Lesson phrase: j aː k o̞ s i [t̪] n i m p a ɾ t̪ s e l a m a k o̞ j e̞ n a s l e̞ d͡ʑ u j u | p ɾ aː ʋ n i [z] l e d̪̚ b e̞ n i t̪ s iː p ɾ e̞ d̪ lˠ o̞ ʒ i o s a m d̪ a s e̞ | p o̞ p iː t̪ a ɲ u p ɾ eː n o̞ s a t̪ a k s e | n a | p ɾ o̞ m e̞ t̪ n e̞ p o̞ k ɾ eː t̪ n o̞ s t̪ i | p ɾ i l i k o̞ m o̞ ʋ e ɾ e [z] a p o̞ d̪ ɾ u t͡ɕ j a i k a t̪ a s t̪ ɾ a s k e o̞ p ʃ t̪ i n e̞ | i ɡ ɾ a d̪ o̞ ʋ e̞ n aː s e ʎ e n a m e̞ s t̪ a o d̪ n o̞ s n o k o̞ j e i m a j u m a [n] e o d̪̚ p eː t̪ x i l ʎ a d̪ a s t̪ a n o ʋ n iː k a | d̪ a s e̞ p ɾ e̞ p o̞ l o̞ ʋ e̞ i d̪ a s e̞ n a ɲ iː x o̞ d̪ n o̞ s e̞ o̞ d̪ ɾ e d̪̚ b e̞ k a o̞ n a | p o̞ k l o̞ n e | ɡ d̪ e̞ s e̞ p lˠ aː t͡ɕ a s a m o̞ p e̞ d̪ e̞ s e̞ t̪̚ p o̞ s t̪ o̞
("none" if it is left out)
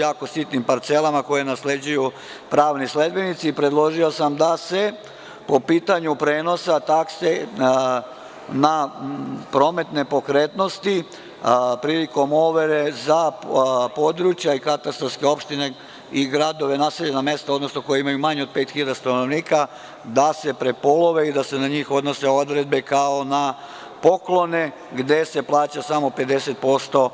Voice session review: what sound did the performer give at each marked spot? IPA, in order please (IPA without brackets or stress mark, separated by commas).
t̪, s, z, ɲ